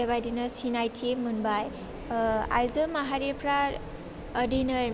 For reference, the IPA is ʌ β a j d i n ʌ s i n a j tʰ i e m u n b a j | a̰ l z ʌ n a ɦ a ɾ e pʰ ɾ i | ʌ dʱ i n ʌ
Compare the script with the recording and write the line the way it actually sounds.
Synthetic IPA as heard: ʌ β a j d i n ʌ s i n a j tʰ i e m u n b a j | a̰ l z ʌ m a ɦ a ɾ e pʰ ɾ a | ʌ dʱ i n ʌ